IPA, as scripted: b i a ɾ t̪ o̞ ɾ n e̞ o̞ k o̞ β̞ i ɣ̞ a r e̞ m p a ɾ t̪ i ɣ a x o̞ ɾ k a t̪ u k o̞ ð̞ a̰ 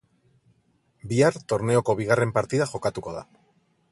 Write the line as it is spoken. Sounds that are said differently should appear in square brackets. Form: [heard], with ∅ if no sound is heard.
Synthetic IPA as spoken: b i a ɾ t̪ o̞ ɾ n e̞ o̞ k o̞ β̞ i ɣ̞ a r e̞ m p a ɾ t̪ i [ð] a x o̞ [∅] k a t̪ u k o̞ ð̞ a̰